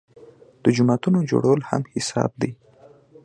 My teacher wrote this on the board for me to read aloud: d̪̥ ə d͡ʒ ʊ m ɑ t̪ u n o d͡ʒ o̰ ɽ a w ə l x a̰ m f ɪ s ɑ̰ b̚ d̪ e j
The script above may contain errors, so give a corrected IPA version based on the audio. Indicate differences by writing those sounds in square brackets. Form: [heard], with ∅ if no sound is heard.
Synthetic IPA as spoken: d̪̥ ə d͡ʒ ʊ m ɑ t̪ u n o d͡ʒ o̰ ɽ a w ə l [h] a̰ m [h] ɪ s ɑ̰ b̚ d̪ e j